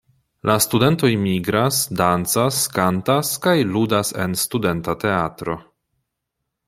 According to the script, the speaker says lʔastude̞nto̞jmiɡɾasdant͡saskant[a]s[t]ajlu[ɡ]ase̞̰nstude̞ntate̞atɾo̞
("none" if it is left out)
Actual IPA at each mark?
a, k, d

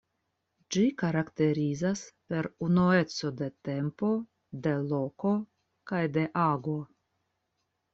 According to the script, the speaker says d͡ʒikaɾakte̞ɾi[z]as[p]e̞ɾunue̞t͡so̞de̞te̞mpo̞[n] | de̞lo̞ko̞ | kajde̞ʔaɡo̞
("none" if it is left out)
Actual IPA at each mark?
z, p, none

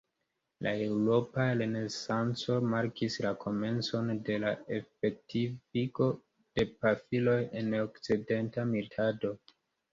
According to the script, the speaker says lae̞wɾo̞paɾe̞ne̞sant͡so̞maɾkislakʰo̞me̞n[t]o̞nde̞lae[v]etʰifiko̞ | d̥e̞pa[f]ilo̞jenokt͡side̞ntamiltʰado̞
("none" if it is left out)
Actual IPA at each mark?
t͡s, f, f

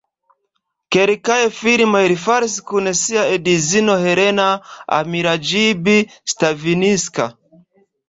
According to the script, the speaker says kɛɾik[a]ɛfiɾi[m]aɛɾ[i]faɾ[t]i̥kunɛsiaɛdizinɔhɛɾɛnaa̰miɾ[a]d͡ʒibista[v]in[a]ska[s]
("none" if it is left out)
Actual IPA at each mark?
a, m, i, s, a, v, i, none

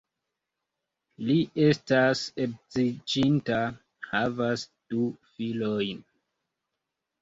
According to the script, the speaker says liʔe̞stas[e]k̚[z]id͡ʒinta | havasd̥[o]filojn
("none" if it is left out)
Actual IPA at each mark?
e, z, u

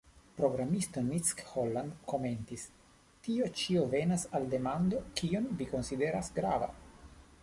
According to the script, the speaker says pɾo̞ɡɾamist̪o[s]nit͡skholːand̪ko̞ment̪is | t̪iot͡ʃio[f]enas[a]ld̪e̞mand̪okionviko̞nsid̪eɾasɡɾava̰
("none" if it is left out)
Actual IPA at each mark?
none, v, a

